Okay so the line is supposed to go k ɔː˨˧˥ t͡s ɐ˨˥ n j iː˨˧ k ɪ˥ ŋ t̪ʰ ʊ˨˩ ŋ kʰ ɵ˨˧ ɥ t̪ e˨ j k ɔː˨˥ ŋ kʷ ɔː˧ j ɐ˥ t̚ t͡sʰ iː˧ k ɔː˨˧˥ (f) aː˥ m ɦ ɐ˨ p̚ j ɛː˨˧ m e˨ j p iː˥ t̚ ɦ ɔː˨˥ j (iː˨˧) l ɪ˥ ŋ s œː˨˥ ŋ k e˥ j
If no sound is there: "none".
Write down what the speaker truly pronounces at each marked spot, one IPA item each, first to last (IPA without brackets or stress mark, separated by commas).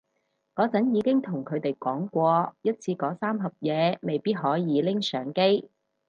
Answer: s, iː˨˧